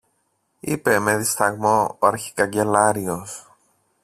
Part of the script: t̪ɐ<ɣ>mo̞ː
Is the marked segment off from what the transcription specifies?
no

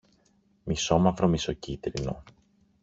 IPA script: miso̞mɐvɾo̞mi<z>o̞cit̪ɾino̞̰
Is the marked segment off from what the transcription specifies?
yes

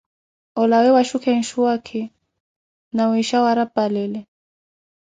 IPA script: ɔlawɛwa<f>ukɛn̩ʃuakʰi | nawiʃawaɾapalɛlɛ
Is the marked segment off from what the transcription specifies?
yes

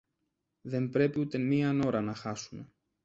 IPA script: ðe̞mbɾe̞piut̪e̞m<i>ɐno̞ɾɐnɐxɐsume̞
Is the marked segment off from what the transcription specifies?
no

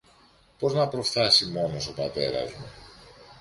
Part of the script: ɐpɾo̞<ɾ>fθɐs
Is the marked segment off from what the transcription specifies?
yes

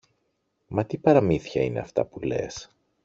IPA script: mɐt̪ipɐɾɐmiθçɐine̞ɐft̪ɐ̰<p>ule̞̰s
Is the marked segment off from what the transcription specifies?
no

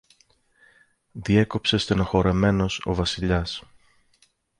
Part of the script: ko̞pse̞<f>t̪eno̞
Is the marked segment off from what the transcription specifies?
yes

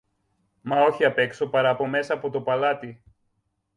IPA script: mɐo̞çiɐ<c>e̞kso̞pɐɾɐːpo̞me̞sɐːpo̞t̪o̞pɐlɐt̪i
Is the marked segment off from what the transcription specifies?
yes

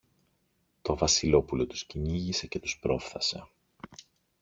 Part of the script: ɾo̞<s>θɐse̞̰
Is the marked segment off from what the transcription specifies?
yes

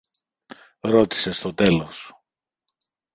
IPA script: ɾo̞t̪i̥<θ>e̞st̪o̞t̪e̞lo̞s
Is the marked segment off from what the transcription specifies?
yes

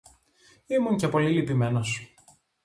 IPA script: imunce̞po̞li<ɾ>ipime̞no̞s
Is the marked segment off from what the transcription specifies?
yes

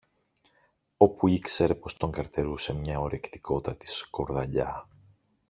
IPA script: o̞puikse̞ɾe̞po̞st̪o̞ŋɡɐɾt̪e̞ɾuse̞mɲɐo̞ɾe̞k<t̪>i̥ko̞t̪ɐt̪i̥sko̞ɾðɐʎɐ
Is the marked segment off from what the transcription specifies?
no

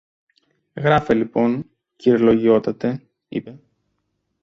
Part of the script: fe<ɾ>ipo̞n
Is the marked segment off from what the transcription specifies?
yes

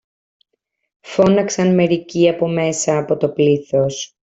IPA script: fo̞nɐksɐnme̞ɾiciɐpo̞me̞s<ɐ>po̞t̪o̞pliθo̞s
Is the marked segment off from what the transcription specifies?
yes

